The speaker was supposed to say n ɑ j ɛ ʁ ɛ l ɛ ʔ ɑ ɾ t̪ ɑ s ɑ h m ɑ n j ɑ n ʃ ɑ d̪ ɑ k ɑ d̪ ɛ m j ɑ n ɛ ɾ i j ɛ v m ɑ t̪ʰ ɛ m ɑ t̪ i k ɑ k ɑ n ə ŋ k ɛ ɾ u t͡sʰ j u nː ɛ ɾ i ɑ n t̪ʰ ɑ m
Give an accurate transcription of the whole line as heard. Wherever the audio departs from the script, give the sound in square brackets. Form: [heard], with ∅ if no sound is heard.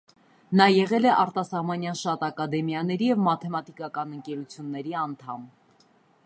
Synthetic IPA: n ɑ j ɛ ʁ ɛ l ɛ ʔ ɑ ɾ t̪ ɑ s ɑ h m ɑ n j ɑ n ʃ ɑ [t̪] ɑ k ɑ d̪ ɛ m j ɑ n ɛ ɾ i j ɛ v m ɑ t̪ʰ ɛ m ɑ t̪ i k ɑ k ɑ n ə ŋ k ɛ ɾ u t͡sʰ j u nː ɛ ɾ i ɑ n t̪ʰ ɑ m